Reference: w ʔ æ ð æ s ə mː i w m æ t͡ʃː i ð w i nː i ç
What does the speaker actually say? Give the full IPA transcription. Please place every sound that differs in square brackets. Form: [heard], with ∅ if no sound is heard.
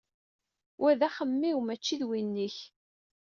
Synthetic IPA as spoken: w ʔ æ ð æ [χ] ə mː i w m æ t͡ʃː i ð w i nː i ç